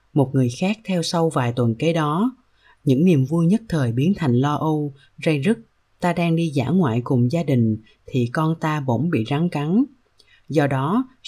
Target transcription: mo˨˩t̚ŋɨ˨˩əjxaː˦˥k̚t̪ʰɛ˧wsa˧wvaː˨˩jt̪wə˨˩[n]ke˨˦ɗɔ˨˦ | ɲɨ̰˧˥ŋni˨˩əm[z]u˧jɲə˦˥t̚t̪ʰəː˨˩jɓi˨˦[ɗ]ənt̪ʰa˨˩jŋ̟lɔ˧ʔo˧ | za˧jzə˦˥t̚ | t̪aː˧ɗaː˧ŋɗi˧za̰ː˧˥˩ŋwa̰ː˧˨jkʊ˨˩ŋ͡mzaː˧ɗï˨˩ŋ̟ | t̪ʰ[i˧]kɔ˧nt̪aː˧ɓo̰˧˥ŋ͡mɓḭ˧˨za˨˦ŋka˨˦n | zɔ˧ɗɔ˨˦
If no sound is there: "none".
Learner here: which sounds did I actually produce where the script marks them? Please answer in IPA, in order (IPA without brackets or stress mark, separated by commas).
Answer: n, v, none, i˨˩